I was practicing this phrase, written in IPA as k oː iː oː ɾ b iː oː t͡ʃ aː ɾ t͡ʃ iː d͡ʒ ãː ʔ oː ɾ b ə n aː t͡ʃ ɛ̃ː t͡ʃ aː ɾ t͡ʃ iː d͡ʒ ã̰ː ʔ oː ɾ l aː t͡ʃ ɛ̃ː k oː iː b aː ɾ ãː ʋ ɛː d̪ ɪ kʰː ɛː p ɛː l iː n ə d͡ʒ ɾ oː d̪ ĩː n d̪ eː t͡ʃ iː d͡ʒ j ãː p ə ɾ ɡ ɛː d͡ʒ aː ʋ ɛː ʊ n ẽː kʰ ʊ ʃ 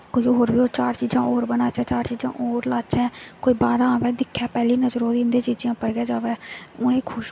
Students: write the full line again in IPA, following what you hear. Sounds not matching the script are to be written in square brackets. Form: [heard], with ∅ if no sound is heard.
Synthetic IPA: k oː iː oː ɾ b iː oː t͡ʃ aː ɾ t͡ʃ iː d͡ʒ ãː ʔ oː ɾ b ə n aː t͡ʃ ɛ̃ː t͡ʃ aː ɾ t͡ʃ iː d͡ʒ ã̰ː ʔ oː ɾ l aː t͡ʃ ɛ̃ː k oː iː b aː ɾ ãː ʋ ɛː d̪ ɪ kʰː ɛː p ɛː l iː n ə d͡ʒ ɾ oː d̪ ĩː n d̪ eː t͡ʃ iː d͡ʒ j ãː p ə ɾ ɡ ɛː d͡ʒ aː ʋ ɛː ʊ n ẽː kʰ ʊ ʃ